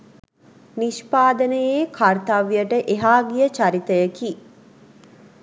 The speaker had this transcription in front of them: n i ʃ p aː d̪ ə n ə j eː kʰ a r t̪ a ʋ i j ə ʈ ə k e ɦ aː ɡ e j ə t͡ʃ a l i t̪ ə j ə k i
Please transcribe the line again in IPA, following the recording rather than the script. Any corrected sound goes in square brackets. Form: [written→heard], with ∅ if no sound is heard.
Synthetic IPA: n i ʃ p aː d̪ ə n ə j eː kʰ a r t̪ a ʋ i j ə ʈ ə [k→ʔ] e ɦ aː ɡ [e→i] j ə t͡ʃ a [l→ɾ] i t̪ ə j ə k i